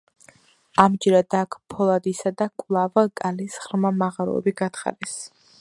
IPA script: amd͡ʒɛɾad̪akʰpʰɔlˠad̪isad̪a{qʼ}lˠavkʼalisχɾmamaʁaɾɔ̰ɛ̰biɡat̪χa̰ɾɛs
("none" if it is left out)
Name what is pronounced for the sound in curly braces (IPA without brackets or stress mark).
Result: kʼ